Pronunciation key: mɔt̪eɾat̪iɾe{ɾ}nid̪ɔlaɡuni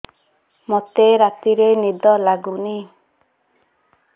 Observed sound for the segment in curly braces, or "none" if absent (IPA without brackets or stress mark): none